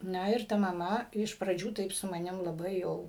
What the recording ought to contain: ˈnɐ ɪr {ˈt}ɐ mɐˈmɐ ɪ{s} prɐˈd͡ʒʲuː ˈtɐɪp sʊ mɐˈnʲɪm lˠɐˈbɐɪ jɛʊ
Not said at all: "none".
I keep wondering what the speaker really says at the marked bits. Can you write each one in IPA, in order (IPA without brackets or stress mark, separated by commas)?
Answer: t, ʃ